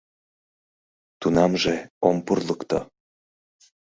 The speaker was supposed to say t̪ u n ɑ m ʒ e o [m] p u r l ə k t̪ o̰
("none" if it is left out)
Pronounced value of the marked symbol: m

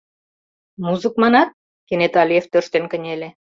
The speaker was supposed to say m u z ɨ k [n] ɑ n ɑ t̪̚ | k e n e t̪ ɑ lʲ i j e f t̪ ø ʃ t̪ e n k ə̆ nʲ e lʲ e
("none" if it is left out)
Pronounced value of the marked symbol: m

